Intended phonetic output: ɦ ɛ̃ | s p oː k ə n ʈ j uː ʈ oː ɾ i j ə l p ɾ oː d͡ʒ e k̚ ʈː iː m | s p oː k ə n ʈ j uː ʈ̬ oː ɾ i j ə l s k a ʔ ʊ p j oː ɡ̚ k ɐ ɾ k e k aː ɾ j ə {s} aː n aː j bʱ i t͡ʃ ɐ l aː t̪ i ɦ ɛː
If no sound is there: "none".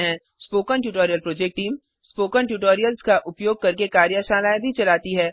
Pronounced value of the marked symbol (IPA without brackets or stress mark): ʃ